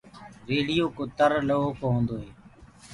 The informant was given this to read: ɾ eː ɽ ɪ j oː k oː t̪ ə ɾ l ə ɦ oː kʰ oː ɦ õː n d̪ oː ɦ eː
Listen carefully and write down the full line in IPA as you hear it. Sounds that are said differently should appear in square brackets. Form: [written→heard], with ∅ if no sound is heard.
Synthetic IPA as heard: ɾ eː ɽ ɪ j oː k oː t̪ ə ɾ l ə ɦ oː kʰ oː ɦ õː n d̪ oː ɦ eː